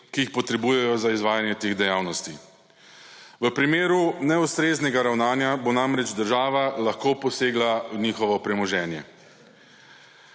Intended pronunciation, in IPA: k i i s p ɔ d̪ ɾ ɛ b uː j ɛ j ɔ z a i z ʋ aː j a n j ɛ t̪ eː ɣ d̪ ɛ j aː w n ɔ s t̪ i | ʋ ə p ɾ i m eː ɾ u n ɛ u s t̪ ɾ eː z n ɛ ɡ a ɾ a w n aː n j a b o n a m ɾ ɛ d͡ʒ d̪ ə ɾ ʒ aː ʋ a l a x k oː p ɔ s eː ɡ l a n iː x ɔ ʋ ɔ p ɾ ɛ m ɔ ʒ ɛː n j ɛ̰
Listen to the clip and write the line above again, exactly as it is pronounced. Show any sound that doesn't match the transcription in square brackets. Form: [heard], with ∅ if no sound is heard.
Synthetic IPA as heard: k i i [x] p ɔ [t̪] ɾ ɛ b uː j ɛ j ɔ z a i z ʋ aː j a n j ɛ t̪ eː ɣ d̪ ɛ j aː w n ɔ s t̪ i | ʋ ə p ɾ i m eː ɾ u n ɛ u s t̪ ɾ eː z n ɛ ɡ a ɾ a w n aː n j a b o n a m ɾ ɛ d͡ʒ d̪ ə ɾ ʒ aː ʋ a l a x k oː p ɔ s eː ɡ l a n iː x ɔ ʋ ɔ p ɾ ɛ m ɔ ʒ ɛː n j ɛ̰